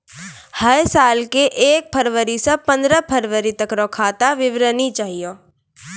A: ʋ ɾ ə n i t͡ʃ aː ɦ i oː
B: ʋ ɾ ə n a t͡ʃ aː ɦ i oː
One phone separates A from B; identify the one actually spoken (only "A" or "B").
A